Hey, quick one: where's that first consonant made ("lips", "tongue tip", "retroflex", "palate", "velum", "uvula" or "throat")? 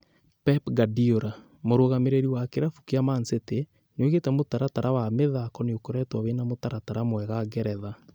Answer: lips